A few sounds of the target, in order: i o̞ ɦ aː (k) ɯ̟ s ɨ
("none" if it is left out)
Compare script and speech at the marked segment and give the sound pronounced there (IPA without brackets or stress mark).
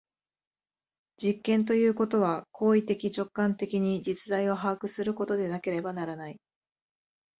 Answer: k